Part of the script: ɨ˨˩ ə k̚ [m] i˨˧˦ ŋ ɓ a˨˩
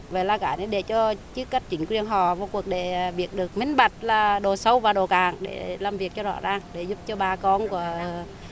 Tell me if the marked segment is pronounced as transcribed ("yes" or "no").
yes